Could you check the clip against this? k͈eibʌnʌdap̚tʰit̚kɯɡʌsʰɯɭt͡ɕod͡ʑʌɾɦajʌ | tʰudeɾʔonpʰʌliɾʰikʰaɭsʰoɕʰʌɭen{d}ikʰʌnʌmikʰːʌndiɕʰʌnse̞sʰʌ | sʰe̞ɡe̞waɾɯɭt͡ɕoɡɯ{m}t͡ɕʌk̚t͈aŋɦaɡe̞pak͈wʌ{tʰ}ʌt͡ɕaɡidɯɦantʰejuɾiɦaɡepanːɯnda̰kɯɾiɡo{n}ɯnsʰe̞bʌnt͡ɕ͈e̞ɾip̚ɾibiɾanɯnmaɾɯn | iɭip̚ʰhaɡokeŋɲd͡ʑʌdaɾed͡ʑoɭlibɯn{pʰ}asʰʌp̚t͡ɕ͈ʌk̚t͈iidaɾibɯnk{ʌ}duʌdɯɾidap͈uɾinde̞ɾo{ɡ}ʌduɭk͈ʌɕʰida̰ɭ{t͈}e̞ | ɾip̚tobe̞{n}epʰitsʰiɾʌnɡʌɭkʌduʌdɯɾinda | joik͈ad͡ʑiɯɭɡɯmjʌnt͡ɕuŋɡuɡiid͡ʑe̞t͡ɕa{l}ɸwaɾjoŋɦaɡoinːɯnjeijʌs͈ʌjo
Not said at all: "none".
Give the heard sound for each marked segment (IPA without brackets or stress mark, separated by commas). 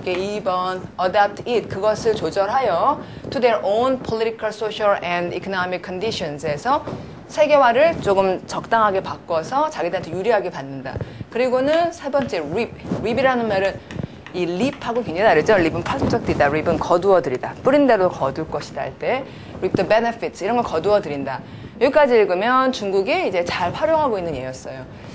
d, m, sʰ, n, pʰ, ʌ, k, t͈, n, ɭ